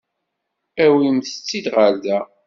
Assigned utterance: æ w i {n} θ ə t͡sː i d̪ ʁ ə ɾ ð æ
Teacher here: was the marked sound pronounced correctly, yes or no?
no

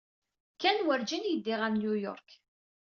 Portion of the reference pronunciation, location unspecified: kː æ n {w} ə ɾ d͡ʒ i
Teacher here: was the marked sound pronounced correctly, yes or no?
yes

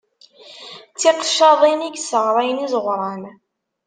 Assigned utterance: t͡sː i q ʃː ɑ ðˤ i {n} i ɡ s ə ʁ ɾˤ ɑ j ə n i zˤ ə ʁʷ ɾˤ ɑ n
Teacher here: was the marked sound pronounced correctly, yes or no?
yes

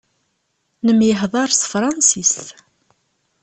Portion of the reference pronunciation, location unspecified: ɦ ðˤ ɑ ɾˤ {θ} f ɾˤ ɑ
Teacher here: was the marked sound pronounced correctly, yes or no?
no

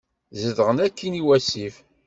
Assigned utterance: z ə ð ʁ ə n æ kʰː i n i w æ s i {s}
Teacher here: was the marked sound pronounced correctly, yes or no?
no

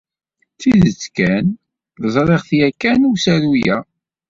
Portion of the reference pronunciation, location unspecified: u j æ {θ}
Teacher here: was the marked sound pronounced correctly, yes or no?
no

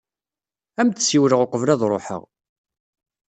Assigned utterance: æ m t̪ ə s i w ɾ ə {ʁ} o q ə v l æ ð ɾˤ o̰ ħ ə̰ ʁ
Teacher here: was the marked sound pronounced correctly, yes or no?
yes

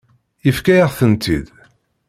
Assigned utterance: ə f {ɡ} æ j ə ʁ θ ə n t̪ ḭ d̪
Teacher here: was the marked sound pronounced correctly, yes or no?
no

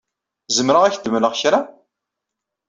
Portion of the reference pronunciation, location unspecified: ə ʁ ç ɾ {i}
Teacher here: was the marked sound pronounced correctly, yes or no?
no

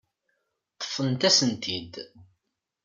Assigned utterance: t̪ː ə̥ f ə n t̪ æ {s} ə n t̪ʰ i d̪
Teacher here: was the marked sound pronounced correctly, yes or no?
yes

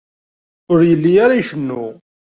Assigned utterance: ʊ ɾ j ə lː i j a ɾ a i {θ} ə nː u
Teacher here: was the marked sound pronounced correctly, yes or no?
no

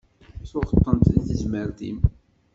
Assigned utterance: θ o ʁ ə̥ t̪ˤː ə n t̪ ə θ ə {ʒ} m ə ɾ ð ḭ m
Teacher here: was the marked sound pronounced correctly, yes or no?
no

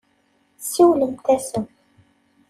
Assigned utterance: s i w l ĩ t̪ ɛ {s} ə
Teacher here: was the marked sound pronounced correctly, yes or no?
yes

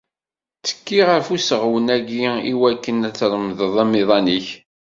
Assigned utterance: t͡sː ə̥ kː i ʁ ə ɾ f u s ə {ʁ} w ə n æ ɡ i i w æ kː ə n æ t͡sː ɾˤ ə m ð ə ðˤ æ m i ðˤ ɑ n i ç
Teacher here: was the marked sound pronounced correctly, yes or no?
yes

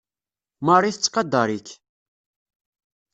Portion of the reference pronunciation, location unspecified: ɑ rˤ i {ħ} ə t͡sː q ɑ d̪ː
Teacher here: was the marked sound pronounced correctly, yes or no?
no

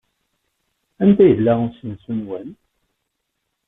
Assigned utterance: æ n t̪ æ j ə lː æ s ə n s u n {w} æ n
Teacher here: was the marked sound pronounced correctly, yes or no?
yes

